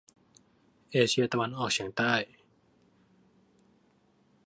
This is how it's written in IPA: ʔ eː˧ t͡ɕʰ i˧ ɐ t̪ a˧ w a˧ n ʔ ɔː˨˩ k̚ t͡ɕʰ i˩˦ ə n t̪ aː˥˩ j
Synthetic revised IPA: ʔ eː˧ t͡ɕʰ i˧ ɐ t̪ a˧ w a˧ n ʔ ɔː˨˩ k̚ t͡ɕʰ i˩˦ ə ŋ t̪ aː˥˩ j